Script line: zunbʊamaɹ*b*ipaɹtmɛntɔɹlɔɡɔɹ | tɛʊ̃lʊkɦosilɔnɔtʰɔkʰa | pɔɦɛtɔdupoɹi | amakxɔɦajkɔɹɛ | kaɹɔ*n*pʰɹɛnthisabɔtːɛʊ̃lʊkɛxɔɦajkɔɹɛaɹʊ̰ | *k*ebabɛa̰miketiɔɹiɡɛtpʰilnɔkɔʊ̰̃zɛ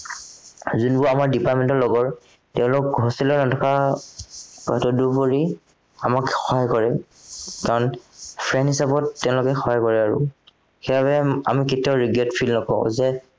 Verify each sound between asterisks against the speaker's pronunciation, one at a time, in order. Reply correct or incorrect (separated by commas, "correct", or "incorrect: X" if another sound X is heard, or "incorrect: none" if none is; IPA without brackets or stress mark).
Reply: incorrect: d, correct, incorrect: x